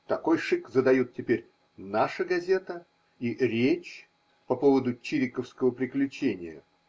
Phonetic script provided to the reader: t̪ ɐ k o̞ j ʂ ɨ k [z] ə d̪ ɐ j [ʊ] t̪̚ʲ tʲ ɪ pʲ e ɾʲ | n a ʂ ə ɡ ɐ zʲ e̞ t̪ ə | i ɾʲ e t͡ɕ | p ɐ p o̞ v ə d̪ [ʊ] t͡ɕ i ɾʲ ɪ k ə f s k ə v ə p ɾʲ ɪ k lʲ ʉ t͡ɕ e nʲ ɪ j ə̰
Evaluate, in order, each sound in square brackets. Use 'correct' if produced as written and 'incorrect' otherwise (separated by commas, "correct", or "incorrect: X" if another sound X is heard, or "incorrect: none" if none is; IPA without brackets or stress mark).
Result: correct, incorrect: u, correct